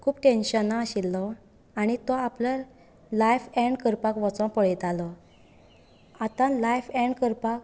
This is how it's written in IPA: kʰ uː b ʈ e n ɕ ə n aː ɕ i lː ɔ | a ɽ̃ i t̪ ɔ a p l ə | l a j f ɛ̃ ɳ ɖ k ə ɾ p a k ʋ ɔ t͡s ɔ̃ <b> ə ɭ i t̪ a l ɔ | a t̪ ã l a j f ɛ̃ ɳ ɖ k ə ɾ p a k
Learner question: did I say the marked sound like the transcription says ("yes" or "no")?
no